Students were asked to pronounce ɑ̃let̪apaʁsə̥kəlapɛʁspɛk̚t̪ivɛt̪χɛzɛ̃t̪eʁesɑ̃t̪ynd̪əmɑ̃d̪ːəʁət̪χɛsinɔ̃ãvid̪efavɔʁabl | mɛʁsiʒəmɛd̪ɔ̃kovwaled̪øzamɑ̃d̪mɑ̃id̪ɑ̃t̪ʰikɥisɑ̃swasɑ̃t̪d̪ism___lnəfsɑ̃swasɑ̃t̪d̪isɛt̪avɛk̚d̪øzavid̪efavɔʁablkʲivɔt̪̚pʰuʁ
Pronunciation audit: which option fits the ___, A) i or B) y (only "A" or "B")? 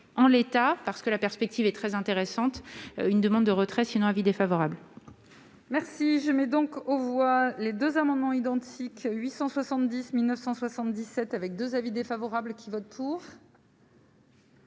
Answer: A